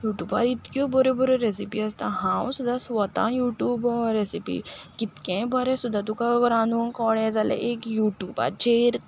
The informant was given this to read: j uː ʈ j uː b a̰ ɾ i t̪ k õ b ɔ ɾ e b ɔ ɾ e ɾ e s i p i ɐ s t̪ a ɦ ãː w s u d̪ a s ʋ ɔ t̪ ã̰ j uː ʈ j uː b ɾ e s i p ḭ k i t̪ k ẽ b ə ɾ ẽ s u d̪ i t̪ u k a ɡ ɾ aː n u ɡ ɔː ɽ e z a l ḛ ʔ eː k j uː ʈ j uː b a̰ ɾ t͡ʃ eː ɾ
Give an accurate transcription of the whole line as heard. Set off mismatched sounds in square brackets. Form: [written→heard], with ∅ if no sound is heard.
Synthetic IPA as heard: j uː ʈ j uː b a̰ ɾ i t̪ k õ b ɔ ɾ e b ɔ ɾ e ɾ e s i p i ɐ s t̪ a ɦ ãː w s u d̪ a s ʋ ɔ t̪ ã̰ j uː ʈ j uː b ɾ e s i p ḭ k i t̪ k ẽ b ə ɾ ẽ s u d̪ [i→a] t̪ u k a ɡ ɾ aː n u [ɡ→k] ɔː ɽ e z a l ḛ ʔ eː k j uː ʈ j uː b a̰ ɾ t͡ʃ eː ɾ